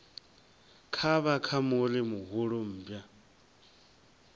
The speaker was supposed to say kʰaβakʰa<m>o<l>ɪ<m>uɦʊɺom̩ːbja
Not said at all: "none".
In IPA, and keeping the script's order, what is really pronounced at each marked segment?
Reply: m, l, m

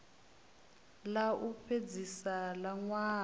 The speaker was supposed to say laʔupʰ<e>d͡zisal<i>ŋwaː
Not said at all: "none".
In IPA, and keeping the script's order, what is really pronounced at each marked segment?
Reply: e, a

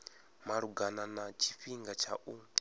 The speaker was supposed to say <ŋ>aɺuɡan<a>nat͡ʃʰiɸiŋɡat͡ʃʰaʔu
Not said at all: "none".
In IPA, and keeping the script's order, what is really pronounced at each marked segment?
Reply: m, a

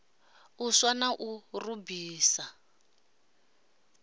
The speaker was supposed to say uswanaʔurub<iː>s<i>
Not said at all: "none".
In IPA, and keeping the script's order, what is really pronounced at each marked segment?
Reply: iː, a

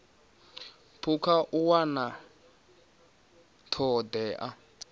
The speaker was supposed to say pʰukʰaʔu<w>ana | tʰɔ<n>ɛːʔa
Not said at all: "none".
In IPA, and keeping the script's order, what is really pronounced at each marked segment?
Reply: w, d

